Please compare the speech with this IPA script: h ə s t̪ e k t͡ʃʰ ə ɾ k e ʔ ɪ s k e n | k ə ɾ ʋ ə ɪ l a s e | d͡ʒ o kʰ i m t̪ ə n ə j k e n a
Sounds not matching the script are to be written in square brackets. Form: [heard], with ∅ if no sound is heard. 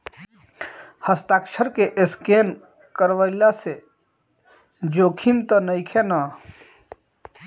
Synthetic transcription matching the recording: h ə s t̪ [a] k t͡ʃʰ ə ɾ k e ʔ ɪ s k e n | k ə ɾ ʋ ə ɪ l a s e | d͡ʒ o kʰ i m t̪ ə n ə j [kʰ] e n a